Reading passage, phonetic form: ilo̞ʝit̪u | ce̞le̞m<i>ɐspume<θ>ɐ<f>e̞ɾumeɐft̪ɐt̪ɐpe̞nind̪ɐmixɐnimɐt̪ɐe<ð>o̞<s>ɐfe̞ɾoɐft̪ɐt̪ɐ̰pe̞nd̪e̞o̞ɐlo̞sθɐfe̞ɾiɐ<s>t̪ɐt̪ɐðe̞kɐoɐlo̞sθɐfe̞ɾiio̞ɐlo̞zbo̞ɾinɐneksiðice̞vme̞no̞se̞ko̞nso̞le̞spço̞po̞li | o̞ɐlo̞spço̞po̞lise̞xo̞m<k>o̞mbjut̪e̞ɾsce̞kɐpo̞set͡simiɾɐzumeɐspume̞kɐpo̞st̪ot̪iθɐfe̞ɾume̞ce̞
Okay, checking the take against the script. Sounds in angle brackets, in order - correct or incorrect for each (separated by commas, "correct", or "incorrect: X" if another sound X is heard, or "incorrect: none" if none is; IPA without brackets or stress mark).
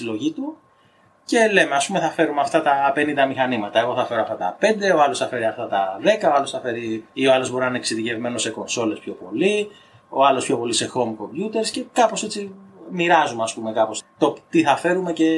incorrect: e, correct, correct, incorrect: ɣ, incorrect: θ, incorrect: f, correct